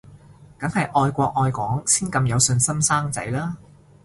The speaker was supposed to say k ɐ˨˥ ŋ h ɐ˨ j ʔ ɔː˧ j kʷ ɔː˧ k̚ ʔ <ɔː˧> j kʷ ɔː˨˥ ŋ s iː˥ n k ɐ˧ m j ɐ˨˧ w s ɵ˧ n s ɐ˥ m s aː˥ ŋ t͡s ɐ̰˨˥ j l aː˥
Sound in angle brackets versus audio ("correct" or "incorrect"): correct